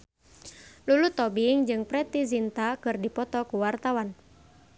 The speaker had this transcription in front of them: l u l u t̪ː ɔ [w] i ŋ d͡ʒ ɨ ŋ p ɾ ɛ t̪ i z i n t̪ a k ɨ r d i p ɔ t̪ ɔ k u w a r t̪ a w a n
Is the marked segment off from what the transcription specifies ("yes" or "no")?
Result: yes